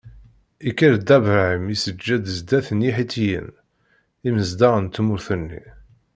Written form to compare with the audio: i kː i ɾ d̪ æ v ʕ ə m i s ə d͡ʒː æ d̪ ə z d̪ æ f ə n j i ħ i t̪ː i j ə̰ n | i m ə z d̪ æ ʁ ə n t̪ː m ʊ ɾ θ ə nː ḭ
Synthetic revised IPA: i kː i ɾ d̪ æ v ʕ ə m i s ə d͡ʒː æ d̪ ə z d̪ æ θ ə n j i ħ i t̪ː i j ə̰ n | i m ə z d̪ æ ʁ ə n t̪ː m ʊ ɾ θ ə nː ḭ